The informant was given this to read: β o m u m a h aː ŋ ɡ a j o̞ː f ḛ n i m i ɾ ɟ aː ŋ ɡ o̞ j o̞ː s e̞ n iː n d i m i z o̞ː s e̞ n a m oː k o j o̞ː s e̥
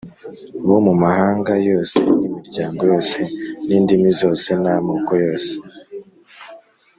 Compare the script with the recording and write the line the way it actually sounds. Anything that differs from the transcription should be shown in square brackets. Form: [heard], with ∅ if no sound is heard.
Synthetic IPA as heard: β o m u m a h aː ŋ ɡ a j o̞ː [s] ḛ n i m i ɾ ɟ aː ŋ ɡ o̞ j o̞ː s e̞ n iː n d i m i z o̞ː s e̞ n a m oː k o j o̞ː s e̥